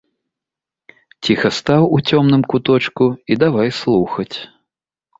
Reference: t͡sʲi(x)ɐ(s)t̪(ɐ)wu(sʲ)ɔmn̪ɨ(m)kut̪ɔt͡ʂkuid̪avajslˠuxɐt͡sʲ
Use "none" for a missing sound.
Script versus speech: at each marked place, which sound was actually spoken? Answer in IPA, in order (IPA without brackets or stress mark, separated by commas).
x, s, a, t͡sʲ, m